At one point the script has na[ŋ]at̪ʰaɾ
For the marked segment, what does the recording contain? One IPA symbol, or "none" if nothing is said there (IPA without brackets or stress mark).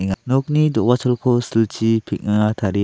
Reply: ŋ